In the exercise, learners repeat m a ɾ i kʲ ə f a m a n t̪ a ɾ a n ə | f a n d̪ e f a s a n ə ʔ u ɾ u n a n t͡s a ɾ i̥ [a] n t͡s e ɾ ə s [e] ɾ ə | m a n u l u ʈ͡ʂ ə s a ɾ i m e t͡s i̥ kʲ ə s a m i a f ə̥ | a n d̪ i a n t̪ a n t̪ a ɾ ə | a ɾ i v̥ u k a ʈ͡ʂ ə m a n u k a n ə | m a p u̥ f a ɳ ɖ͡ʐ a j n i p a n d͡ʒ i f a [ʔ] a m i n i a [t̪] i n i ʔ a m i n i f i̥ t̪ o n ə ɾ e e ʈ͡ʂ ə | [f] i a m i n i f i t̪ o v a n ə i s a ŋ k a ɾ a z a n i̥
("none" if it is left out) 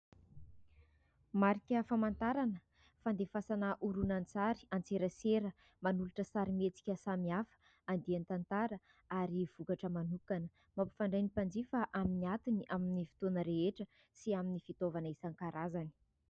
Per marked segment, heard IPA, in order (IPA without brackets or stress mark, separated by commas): a, e, ʔ, t̪, s